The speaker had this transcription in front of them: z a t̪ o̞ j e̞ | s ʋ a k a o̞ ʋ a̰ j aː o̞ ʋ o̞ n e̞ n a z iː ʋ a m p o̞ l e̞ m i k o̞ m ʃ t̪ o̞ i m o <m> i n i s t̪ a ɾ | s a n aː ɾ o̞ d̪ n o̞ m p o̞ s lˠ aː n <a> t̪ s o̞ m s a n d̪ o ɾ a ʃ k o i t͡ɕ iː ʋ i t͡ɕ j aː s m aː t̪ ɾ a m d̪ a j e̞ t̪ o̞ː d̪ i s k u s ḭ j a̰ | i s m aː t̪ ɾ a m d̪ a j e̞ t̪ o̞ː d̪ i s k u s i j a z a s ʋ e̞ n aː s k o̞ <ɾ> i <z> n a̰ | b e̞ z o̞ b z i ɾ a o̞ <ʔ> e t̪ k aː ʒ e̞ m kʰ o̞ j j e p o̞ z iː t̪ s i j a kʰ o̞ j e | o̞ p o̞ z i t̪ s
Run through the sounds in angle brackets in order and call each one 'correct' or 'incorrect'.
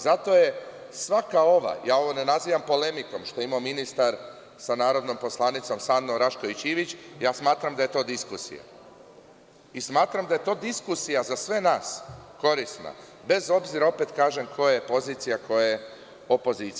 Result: correct, incorrect: i, correct, incorrect: s, incorrect: p

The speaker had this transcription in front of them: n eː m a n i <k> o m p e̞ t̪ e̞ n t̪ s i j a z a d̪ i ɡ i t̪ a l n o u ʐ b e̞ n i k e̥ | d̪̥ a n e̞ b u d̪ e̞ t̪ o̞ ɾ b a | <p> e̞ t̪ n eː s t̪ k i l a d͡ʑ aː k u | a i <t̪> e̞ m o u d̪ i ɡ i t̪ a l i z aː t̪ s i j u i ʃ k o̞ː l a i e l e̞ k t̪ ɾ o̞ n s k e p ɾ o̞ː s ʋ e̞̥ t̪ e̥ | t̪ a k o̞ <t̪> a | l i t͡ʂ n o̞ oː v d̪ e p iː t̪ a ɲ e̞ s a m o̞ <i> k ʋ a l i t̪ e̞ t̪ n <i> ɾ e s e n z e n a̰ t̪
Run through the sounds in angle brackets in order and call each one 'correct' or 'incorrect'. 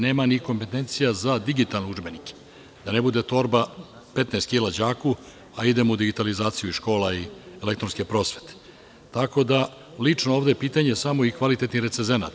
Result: correct, correct, incorrect: d̪, incorrect: d̪, correct, correct

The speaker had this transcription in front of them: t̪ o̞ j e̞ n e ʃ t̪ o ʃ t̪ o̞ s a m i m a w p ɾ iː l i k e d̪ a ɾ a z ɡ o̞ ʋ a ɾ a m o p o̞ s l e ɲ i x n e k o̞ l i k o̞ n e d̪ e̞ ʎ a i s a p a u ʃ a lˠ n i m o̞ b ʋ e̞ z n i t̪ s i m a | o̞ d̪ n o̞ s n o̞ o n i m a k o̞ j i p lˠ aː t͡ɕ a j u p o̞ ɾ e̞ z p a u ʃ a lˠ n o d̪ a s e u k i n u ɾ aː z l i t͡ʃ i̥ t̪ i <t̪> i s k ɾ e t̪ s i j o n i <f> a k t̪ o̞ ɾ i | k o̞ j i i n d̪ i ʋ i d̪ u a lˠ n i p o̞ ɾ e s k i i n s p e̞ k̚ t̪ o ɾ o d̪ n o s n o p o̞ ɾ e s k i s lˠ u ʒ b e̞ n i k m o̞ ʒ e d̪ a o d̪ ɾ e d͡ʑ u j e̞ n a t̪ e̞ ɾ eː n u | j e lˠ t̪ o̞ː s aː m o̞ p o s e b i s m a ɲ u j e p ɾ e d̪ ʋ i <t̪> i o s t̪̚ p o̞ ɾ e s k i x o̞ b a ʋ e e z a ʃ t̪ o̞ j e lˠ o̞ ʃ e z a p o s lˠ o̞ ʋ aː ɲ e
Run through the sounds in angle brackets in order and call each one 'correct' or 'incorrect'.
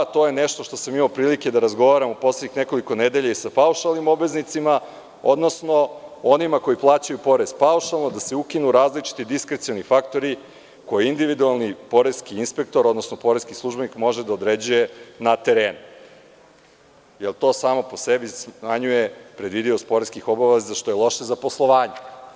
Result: incorrect: d̪, correct, incorrect: d̪

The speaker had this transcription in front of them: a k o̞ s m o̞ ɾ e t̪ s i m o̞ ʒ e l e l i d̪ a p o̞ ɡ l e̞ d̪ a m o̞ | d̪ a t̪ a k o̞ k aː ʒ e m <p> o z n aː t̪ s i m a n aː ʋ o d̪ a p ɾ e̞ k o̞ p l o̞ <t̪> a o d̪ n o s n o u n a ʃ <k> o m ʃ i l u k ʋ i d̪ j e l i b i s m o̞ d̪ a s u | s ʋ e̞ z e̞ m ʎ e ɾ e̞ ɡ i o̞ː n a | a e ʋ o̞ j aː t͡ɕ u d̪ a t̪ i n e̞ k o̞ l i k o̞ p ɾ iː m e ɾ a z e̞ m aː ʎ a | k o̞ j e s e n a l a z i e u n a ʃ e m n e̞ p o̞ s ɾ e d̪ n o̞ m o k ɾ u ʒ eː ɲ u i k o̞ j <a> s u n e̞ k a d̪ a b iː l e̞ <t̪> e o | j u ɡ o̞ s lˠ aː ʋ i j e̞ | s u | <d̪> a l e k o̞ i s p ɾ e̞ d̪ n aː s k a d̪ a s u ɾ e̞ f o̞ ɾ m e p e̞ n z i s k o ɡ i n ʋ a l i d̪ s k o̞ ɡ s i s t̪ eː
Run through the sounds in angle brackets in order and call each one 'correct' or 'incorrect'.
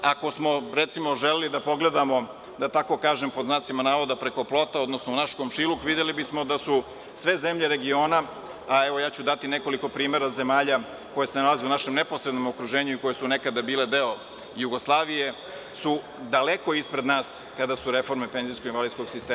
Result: correct, correct, correct, incorrect: e, incorrect: d̪, correct

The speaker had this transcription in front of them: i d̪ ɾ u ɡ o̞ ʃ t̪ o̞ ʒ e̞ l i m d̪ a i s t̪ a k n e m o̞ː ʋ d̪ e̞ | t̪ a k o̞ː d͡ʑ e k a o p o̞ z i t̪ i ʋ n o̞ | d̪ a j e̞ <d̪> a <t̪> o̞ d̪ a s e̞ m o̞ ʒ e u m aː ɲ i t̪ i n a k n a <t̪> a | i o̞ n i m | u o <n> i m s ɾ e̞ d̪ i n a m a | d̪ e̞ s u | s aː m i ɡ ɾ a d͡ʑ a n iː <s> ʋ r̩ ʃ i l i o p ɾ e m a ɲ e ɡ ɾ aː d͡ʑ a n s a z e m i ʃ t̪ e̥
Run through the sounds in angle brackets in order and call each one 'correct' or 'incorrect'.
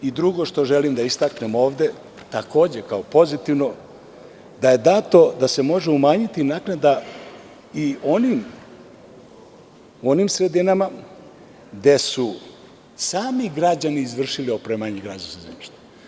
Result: correct, correct, incorrect: d̪, correct, incorrect: z

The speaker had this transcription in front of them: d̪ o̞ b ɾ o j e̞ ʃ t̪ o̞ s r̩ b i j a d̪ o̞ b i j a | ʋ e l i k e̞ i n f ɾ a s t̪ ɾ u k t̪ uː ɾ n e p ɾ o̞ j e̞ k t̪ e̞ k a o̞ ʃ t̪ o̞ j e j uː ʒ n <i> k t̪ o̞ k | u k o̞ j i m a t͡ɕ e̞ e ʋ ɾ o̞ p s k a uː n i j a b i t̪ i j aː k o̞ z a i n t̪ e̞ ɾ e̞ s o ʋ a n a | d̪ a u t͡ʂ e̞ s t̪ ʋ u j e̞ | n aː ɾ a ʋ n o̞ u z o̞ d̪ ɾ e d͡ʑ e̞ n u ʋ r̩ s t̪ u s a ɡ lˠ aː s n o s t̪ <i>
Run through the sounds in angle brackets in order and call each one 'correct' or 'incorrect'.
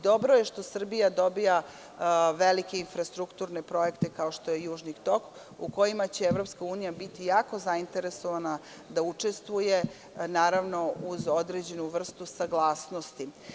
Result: correct, correct

